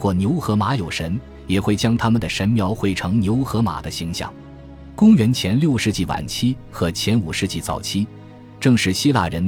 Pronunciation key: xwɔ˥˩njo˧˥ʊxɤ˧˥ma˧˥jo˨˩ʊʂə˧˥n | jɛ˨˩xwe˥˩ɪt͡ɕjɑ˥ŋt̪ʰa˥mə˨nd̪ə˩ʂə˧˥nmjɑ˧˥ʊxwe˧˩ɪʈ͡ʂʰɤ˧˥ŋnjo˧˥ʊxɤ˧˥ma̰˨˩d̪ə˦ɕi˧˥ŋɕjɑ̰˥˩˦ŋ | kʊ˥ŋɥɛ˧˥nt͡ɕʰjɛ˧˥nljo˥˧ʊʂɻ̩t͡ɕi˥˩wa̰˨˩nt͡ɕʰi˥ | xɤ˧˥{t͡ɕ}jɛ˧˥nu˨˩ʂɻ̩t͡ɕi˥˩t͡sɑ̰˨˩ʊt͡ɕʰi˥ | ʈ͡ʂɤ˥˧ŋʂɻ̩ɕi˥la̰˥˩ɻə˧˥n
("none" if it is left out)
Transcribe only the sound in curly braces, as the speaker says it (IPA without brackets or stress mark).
t͡ɕʰ